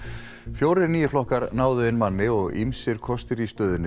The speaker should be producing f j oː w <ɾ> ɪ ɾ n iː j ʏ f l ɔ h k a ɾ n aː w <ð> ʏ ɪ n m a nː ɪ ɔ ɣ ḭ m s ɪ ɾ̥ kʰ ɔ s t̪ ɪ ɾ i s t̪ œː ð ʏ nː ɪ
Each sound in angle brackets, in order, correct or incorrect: correct, correct

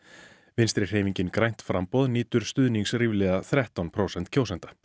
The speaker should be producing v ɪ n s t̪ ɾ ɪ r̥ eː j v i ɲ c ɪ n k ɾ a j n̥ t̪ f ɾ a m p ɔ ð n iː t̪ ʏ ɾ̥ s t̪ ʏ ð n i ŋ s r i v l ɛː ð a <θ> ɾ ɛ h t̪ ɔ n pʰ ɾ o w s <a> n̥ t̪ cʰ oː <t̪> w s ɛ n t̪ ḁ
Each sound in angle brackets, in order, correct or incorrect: correct, incorrect, incorrect

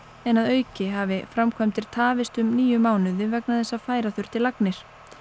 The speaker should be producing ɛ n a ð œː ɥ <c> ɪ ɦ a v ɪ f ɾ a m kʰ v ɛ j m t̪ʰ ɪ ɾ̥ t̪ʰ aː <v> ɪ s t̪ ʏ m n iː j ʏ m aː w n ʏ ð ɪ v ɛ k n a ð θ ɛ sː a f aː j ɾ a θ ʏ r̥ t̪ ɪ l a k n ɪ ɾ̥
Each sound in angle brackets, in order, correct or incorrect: correct, correct

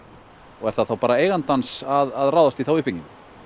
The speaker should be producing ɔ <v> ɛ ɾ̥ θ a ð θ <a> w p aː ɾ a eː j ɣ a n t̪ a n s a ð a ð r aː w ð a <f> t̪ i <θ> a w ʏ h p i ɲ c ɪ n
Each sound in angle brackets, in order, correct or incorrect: incorrect, correct, incorrect, correct

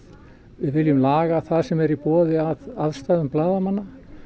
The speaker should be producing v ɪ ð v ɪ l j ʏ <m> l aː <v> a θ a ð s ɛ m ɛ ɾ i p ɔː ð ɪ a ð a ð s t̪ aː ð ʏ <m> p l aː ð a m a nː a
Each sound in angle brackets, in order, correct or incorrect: correct, incorrect, correct

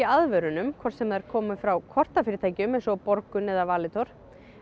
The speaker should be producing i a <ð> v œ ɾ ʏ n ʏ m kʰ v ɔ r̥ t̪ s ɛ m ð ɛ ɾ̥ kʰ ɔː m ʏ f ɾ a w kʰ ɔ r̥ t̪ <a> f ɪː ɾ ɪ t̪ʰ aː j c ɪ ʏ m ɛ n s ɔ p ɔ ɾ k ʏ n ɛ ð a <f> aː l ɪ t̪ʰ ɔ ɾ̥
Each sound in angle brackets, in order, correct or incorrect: correct, correct, incorrect

